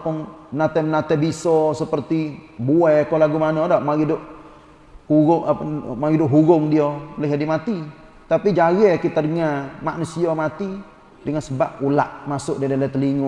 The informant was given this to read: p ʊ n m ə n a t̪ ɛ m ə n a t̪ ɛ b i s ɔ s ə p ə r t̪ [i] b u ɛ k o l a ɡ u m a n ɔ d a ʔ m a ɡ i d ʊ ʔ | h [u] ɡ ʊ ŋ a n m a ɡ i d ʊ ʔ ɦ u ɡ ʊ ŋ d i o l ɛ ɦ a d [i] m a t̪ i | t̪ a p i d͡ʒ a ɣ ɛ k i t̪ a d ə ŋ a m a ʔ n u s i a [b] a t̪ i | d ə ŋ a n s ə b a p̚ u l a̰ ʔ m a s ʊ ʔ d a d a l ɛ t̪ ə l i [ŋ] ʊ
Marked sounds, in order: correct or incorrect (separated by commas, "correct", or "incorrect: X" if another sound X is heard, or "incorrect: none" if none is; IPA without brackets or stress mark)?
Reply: correct, correct, correct, incorrect: m, correct